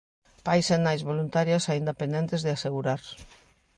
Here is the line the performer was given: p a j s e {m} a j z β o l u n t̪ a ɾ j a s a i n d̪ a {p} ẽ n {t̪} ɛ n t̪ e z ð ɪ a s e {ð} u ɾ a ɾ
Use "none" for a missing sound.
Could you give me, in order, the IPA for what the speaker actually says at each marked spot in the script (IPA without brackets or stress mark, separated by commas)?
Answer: n, p, d̪, ɣ